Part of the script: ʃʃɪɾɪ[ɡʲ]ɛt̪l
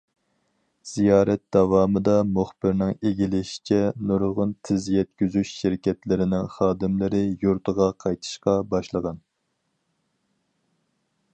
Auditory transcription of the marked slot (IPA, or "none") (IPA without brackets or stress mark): kʲ